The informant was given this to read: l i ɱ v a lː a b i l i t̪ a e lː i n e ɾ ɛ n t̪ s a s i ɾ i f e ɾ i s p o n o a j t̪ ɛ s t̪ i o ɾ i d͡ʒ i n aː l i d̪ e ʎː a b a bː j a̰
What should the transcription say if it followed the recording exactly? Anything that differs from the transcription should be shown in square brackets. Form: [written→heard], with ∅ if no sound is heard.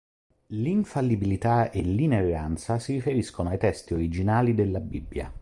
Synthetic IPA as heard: l i ɱ [v→f] a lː [a→i] b i l i t̪ a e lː i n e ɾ [ɛ→a] n t̪ s a s i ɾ i f e ɾ i s [p→k] o n o a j t̪ ɛ s t̪ i o ɾ i d͡ʒ i n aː l i d̪ e [ʎː→lː] a b [a→i] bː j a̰

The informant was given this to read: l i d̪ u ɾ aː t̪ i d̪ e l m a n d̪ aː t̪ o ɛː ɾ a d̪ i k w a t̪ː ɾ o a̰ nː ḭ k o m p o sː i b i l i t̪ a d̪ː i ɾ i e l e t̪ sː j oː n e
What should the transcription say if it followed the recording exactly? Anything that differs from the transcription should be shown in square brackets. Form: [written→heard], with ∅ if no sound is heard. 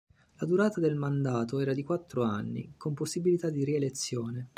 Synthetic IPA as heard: l [i→a] d̪ u ɾ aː t̪ [i→a] d̪ e l m a n d̪ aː t̪ o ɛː ɾ a d̪ i k w a t̪ː ɾ o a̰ nː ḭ k o m p o sː i b i l i t̪ a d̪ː i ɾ i e l e t̪ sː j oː n e

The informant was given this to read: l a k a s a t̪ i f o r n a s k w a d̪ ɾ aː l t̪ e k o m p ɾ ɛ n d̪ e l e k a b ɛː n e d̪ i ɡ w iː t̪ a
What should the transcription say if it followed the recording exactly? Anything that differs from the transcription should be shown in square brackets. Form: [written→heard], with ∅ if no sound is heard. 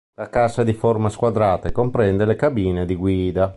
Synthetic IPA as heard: l a k a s a [t̪→d̪] i f o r [n→m] a s k w a d̪ ɾ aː [l→∅] t̪ e k o m p ɾ ɛ n d̪ e l e k a b [ɛː→iː] n e d̪ i ɡ w iː [t̪→d̪] a

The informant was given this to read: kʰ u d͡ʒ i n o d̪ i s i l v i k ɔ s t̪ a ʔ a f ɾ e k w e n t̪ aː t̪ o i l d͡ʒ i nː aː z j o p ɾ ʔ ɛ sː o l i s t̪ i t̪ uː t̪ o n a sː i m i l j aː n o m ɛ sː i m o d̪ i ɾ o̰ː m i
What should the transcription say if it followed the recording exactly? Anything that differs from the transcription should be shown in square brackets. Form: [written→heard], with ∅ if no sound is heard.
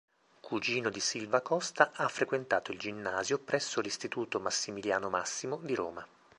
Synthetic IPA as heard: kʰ u d͡ʒ [i→iː] n o d̪ i s i l v [i→a] k ɔ s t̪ a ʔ a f ɾ e k w e n t̪ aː t̪ o i l d͡ʒ i nː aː z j o p ɾ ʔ ɛ sː o l i s t̪ i t̪ uː t̪ o [n→m] a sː i m i l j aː n o m [ɛ→a] sː i m o d̪ i ɾ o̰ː m [i→a]

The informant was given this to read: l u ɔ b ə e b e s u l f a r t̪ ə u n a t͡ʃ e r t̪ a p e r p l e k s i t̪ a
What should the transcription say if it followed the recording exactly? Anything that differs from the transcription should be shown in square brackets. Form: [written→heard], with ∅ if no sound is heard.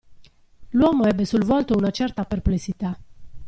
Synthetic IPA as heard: l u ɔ [b→m] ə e b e s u l [f→v] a [r→l] t̪ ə u n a t͡ʃ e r t̪ a p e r p l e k s i t̪ a

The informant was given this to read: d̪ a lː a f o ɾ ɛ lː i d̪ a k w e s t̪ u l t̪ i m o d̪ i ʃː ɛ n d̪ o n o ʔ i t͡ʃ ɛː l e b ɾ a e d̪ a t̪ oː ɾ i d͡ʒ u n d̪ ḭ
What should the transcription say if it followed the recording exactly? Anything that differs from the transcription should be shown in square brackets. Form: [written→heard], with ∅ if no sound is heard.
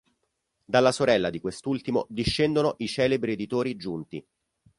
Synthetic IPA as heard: d̪ a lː a [f→s] o ɾ ɛ lː [i→a] d̪ [a→i] k w e s t̪ u l t̪ i m o d̪ i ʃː ɛ n d̪ o n o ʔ i t͡ʃ ɛː l e b ɾ [a→i] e d̪ [a→i] t̪ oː ɾ i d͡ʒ u n [d̪→t̪] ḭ

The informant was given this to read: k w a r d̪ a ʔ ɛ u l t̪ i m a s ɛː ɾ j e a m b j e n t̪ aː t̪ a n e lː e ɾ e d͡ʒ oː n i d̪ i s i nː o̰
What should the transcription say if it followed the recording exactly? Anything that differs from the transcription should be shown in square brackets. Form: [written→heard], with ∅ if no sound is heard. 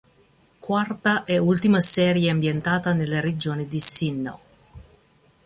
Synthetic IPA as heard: k w a r [d̪→t̪] a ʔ ɛ u l t̪ i m a s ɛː ɾ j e a m b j e n t̪ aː t̪ a n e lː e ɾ e d͡ʒ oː n i d̪ i s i nː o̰

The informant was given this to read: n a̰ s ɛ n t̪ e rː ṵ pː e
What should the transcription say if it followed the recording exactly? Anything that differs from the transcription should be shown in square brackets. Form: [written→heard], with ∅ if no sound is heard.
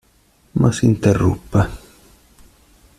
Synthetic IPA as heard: [n→m] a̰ s [ɛ→i] n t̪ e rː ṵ pː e

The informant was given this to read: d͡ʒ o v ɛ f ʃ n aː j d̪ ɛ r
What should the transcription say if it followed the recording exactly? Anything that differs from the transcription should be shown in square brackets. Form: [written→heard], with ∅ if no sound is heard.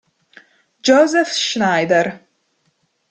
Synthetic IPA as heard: d͡ʒ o [v→z] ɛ f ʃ n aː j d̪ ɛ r

